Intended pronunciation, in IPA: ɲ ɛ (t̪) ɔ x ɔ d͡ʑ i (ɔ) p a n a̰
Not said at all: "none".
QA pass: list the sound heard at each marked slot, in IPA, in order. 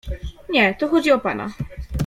t̪, ɔ

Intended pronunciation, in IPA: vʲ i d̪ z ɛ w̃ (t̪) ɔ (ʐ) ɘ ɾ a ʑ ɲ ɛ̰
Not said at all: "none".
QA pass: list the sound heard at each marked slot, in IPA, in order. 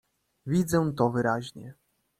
t̪, v

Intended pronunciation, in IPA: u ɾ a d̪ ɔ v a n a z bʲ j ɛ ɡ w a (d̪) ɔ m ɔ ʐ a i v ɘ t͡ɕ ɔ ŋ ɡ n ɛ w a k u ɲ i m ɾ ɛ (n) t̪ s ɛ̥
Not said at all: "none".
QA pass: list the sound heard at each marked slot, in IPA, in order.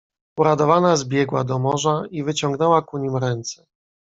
d̪, n

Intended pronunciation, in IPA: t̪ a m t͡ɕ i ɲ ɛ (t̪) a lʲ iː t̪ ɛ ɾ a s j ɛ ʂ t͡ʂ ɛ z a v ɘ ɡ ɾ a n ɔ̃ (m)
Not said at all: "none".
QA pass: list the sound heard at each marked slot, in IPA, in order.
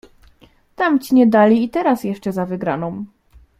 d̪, m

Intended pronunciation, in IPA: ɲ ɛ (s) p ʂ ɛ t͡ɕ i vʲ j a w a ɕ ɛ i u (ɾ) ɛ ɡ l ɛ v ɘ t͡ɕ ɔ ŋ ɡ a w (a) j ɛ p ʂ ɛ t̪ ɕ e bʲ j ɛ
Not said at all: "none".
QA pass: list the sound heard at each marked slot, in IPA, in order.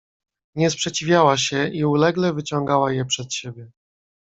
s, l, a

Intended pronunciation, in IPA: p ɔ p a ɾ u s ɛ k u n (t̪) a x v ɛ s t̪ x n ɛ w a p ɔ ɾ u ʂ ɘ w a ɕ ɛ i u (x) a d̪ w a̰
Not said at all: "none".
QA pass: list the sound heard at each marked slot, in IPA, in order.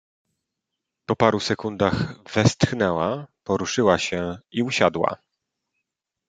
d̪, ɕ

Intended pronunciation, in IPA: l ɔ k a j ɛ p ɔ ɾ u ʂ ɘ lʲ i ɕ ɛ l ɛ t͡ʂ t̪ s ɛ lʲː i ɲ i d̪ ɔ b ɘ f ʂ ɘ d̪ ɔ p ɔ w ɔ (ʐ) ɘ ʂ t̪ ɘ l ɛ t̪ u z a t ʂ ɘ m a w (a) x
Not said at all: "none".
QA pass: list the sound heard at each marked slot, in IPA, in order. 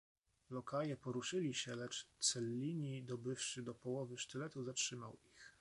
v, i

